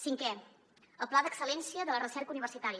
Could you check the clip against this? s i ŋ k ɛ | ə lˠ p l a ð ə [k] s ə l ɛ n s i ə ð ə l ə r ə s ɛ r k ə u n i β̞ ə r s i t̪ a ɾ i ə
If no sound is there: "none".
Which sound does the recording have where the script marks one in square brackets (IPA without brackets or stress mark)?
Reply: k